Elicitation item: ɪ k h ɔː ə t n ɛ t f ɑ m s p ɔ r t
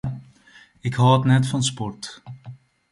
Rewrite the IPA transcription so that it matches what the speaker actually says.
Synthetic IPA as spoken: ɪ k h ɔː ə t n ɛ t f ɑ n s p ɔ r t